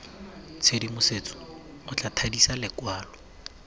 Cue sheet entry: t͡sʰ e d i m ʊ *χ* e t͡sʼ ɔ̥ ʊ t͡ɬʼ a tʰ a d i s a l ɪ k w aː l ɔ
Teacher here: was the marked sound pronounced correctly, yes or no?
no